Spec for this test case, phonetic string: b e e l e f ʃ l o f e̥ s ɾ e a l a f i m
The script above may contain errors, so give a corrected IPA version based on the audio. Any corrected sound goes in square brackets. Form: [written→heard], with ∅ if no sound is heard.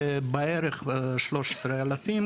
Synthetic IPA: b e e [l→ɾ] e [f→χ] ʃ l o [f→ʃ] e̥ s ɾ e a l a f i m

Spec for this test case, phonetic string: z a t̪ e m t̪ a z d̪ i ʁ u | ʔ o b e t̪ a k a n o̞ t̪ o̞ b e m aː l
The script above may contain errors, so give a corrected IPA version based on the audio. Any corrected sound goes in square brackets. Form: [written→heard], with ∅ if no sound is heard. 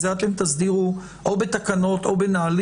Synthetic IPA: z a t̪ e m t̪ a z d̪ i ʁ u | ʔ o b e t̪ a k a n o̞ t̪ o̞ b e [m→n] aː l

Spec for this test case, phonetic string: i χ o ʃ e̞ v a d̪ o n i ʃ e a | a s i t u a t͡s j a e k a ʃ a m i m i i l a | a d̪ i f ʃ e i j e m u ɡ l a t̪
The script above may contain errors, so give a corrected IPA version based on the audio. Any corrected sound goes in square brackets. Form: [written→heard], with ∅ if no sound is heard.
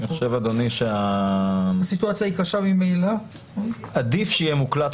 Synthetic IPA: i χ o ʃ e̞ v a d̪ o n i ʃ e a | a s i t u a t͡s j a [e→i] k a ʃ a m i m [i→e] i l a | a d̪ i f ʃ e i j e m u [ɡ→k] l a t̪

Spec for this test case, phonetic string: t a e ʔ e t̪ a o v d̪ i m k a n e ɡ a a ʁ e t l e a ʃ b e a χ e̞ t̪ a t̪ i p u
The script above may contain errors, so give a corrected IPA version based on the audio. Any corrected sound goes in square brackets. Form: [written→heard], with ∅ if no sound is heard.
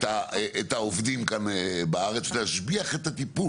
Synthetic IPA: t a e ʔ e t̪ a o v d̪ i m k a n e [ɡ→b] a a ʁ e [t→t͡s] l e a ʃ b [e→i] a χ e̞ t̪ a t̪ i p u

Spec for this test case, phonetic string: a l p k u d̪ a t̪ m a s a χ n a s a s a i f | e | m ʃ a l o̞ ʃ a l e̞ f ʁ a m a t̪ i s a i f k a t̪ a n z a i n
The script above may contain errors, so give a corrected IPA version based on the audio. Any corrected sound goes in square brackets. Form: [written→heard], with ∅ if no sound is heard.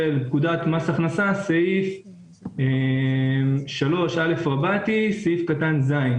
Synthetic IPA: [a→e] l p k u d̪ a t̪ m a s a χ n a s a s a i f | e | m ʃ a l o̞ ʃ a l e̞ f ʁ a [m→b] a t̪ i s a i f k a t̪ a n z a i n

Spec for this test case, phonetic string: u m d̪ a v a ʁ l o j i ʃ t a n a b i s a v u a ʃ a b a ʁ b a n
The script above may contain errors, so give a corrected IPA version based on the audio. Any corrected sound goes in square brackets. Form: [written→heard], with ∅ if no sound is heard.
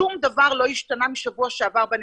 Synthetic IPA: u m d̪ a v a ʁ l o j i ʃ t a n a [b→m] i [s→ʃ] a v u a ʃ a [b→v] a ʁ b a n

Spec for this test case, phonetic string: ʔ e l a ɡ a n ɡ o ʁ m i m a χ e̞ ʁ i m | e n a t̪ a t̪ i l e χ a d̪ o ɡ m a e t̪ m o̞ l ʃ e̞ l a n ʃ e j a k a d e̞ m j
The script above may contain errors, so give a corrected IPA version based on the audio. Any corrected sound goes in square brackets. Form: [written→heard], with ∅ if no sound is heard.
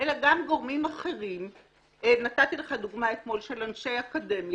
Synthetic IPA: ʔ e l a ɡ a [n→m] ɡ o ʁ m i m a χ e̞ ʁ i m | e n a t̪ a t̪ i l e χ a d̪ [o→u] ɡ m a e t̪ m o̞ l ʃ e̞ l a n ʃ e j a k a d e̞ m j

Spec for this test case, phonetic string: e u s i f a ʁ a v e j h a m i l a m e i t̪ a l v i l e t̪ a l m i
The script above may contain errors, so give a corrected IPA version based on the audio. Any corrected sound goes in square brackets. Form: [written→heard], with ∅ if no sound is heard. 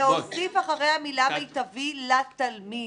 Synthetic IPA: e [u→o] s i f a [ʁ→χ] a [v→ʁ] e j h a m i l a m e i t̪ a [l→∅] v i l [e→a] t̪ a l m i

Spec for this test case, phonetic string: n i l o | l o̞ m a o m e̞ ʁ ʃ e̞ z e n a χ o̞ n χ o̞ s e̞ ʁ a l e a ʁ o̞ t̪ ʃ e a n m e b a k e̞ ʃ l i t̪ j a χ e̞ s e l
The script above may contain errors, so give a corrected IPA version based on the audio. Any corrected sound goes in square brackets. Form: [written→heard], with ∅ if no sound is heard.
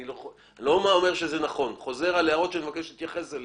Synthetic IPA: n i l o | l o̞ m a o m e̞ ʁ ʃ e̞ z e n a χ o̞ n χ o̞ [s→z] e̞ ʁ a l e a ʁ o̞ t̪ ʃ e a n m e [b→v] a k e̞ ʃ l i t̪ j a χ e̞ s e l

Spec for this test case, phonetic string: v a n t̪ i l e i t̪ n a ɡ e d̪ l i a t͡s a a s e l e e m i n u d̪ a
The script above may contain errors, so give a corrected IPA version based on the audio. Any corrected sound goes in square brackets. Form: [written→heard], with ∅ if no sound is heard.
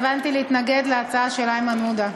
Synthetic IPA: v a n t̪ i l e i t̪ n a ɡ e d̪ l [i→e] a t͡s a a [s→ʃ] e l [e→a] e m [i→a] n u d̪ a

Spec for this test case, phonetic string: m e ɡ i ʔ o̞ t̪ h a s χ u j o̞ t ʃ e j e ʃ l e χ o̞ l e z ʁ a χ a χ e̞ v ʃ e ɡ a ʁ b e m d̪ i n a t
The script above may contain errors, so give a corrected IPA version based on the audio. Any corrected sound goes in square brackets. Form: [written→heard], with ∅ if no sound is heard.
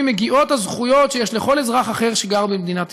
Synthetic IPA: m e ɡ i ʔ o̞ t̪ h a [s→z] χ u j o̞ t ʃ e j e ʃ l e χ o̞ l e z ʁ a χ a χ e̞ [v→ʁ] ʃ e ɡ a ʁ b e m d̪ i n a t

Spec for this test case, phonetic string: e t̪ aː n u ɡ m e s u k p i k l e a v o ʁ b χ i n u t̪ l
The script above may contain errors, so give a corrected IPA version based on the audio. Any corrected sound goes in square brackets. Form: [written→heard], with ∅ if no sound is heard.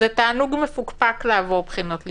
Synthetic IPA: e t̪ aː n u ɡ m e [s→f] u k p [i→a] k l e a v o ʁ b χ i n [u→o] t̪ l

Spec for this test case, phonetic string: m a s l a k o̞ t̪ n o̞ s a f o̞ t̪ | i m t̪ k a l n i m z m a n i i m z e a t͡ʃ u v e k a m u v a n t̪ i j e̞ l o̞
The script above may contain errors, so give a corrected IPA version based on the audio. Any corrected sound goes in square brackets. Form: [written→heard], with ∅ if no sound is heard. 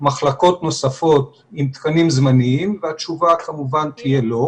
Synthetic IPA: m a [s→χ] l a k o̞ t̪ n o̞ s a f o̞ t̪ | i m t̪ k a [l→∅] n i m z m a n i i m [z→v] e a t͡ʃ u v [e→a] k a m u v a n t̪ i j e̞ l o̞

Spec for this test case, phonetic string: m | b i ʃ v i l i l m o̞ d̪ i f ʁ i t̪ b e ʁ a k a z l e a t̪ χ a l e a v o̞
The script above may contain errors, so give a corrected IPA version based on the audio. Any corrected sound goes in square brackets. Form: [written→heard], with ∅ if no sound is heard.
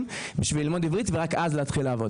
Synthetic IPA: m | b i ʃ v i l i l m o̞ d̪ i [f→v] ʁ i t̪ [b→v] e ʁ a k a z l e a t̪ χ [a→i] l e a v o̞

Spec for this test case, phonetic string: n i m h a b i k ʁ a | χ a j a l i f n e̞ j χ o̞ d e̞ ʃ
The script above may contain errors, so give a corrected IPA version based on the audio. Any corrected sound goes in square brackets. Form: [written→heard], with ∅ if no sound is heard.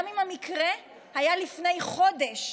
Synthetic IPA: [n→m] i m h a [b→m] i k ʁ [a→e] | [χ→h] a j a l i f n e̞ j χ o̞ d e̞ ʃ

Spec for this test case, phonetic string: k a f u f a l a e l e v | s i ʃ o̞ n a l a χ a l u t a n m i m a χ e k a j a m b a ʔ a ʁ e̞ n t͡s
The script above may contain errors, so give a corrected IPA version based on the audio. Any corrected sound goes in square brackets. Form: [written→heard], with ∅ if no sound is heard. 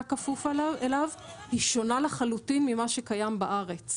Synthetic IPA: k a f u f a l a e l [e→a] v | [s→h] i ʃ o̞ n a l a χ a l u t [a→i] n m i m a [χ→ʃ] e k a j a m b a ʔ a ʁ e̞ [n→∅] t͡s

